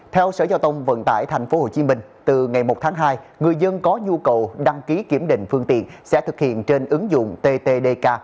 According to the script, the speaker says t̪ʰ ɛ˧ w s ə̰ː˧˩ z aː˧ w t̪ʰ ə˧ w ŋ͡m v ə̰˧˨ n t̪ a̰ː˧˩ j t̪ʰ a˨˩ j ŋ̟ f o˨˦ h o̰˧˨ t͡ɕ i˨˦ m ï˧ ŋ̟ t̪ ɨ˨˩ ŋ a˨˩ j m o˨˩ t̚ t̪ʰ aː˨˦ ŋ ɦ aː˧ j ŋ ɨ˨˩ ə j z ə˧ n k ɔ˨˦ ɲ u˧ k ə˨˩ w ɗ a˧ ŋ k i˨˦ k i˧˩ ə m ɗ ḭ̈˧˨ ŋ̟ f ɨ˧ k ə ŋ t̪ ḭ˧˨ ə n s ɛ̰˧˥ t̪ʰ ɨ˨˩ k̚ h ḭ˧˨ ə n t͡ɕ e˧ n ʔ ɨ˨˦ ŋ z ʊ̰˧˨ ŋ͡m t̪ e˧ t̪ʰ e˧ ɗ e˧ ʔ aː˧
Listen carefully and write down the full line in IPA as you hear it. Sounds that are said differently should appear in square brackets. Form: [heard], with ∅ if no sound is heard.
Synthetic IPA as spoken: t̪ʰ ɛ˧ w s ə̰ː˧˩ z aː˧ w [t̪] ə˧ w ŋ͡m v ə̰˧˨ n t̪ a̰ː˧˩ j t̪ʰ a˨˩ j ŋ̟ f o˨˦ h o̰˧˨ t͡ɕ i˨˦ m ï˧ ŋ̟ t̪ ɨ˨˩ ŋ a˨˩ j m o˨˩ t̚ t̪ʰ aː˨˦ ŋ ɦ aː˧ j ŋ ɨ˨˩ ə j z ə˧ n k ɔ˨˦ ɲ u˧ k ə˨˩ w ɗ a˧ ŋ k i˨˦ k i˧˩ ə m ɗ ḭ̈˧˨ ŋ̟ f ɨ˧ [∅] ə ŋ t̪ ḭ˧˨ ə n s ɛ̰˧˥ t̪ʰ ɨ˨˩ k̚ h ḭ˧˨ ə n t͡ɕ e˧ n ʔ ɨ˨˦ ŋ z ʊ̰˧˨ ŋ͡m t̪ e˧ [t̪] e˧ ɗ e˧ [k] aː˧